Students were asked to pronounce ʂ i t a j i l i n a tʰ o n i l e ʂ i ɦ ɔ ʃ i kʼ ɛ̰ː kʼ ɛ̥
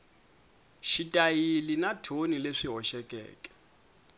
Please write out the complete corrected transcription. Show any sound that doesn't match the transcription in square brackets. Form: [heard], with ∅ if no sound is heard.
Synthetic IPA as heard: [ʃ] i [tʼ] a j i l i n a tʰ o n i l e ʂ i ɦ ɔ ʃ [ɛ] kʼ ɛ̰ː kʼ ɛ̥